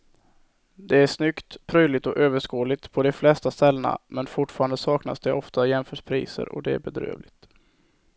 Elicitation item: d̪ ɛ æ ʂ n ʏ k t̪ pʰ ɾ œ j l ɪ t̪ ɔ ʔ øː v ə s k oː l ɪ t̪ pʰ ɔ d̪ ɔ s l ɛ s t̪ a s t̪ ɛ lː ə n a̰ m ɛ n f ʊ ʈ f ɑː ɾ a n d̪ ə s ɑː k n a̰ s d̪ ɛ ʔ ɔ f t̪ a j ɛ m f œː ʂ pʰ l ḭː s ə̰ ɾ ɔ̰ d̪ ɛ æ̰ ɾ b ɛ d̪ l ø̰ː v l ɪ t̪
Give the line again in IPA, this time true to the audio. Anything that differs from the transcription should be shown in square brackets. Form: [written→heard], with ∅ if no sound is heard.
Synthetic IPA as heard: d̪ ɛ æ ʂ n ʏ k t̪ pʰ ɾ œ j l ɪ t̪ ɔ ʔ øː v ə [s→ʂ] k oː l ɪ t̪ pʰ ɔ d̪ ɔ [s→f] l ɛ s t̪ a s t̪ ɛ lː ə n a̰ m ɛ n f ʊ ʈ f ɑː ɾ a n d̪ ə s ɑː k n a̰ s d̪ ɛ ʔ ɔ f t̪ a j ɛ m f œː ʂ pʰ [l→ɾ] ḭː s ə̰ ɾ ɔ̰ d̪ ɛ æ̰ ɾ b ɛ d̪ [l→ɾ] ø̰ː v l ɪ t̪

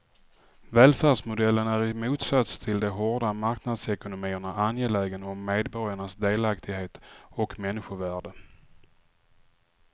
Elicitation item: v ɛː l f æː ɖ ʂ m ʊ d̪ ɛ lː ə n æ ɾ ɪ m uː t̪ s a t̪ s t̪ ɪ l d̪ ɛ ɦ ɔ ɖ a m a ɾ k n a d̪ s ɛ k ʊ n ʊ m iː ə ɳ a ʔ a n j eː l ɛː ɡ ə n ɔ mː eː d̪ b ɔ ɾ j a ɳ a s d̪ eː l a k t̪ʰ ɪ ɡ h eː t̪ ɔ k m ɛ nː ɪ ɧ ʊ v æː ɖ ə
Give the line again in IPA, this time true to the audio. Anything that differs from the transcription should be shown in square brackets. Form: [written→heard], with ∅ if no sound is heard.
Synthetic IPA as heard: v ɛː l f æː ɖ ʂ m ʊ d̪ ɛ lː ə n æ ɾ ɪ m uː t̪ s a t̪ s [t̪→t̪ʰ] ɪ l d̪ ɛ ɦ ɔ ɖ a m a ɾ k n a d̪ s ɛ k ʊ n ʊ m iː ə ɳ a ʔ a n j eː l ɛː ɡ ə n ɔ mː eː d̪ b ɔ ɾ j a ɳ a s d̪ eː l a k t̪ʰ ɪ ɡ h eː t̪ ɔ k m ɛ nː ɪ ɧ ʊ v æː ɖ ə

